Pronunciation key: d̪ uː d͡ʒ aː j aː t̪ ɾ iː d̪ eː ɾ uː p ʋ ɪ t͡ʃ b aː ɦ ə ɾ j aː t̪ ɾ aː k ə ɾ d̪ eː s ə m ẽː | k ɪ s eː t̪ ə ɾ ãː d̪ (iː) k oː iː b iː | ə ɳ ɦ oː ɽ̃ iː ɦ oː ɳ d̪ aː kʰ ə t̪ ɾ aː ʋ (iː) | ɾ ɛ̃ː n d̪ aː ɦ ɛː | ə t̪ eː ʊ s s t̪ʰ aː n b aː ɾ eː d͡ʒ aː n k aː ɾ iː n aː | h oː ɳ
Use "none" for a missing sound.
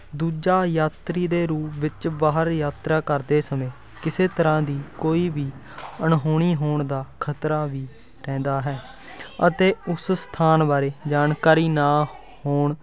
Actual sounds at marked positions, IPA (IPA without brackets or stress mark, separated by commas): iː, iː